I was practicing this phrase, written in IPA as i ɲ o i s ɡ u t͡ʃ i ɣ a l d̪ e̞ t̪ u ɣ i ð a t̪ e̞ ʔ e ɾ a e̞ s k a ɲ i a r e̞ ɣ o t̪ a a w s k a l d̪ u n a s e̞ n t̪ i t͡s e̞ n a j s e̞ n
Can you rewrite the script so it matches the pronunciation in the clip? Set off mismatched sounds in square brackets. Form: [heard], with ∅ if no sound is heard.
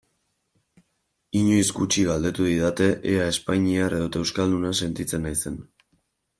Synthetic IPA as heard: i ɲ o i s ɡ u t͡ʃ i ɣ a l d̪ e̞ t̪ u [ð] i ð a t̪ e̞ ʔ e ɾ a e̞ s [p] a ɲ i a r e̞ [ð] o t̪ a [e] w s k a l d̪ u n a s e̞ n t̪ i t͡s e̞ n a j s e̞ n